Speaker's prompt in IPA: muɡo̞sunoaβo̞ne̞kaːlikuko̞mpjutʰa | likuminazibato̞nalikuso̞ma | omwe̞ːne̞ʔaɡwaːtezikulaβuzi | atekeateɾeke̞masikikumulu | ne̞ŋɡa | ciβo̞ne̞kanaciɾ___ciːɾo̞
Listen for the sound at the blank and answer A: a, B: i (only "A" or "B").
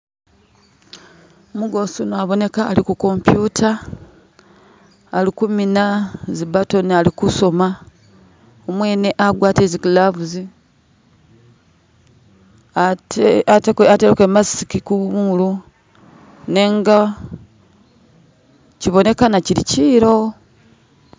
B